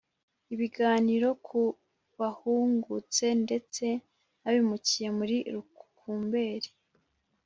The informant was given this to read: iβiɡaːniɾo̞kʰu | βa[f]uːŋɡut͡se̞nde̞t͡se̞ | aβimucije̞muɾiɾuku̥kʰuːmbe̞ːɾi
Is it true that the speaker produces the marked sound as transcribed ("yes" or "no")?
no